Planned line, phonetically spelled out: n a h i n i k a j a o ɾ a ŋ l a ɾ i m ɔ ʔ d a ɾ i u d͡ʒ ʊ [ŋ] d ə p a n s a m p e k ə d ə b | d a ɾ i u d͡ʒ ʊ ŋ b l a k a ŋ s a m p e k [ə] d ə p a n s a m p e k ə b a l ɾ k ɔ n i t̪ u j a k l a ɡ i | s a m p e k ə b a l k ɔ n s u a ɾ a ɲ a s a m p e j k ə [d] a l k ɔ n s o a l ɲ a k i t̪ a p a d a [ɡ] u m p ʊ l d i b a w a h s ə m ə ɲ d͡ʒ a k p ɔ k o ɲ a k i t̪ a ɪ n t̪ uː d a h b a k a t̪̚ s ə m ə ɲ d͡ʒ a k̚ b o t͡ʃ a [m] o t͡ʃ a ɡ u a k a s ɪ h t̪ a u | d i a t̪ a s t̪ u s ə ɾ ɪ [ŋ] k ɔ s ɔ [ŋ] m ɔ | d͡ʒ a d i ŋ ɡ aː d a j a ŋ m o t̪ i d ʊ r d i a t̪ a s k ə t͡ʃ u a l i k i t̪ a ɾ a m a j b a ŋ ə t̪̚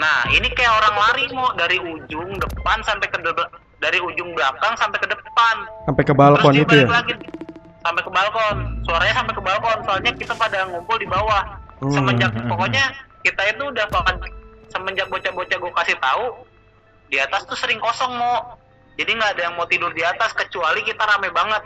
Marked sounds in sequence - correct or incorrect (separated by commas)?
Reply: correct, correct, incorrect, incorrect, incorrect, correct, correct